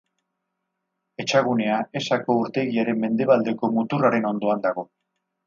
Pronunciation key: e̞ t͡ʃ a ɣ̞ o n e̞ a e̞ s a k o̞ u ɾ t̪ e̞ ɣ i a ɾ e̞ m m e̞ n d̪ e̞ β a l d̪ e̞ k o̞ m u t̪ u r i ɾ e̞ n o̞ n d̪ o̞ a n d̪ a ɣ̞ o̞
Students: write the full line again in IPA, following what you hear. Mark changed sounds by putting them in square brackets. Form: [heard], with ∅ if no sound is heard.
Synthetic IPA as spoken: e̞ t͡ʃ a ɣ̞ [u] n e̞ a e̞ s a k o̞ u ɾ t̪ e̞ ɣ i a ɾ e̞ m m e̞ n d̪ e̞ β a l d̪ e̞ k o̞ m u t̪ u r [a] ɾ e̞ n o̞ n d̪ o̞ a n d̪ a ɣ̞ o̞